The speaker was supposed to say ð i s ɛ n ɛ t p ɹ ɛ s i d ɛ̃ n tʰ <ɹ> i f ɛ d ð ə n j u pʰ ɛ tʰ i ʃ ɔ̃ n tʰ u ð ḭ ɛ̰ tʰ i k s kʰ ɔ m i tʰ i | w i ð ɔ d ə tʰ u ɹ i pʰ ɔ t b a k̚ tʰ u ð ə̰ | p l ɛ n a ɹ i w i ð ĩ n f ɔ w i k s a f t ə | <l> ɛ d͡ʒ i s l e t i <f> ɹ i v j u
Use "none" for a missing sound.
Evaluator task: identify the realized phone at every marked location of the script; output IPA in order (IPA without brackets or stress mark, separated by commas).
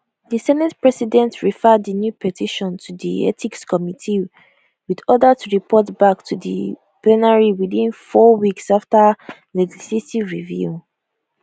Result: ɹ, l, v